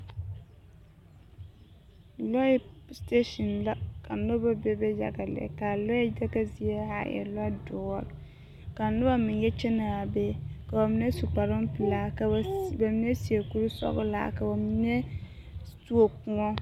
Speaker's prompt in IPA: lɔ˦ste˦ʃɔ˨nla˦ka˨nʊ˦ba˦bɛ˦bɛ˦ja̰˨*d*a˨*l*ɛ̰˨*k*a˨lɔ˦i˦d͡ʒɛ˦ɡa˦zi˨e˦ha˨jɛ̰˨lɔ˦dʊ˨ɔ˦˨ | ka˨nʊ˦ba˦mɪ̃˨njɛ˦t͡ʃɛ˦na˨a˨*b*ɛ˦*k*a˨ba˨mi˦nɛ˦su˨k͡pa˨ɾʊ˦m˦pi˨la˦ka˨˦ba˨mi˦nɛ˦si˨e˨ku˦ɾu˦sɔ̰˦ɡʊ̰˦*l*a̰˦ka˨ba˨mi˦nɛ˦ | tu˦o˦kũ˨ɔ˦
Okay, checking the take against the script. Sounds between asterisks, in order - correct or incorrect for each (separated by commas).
incorrect, correct, correct, correct, correct, correct